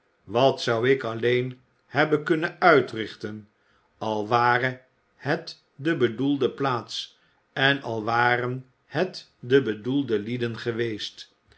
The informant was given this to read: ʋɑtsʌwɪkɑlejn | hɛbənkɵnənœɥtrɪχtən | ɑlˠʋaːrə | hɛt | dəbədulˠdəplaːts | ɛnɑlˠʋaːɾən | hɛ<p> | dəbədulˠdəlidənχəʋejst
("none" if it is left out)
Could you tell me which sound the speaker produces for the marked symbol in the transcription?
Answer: t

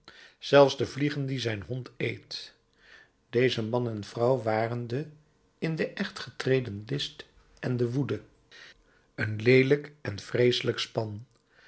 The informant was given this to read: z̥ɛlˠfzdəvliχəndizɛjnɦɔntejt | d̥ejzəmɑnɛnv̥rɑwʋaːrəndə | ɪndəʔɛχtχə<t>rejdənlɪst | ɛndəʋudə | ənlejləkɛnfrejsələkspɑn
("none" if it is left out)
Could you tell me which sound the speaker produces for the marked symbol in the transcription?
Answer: t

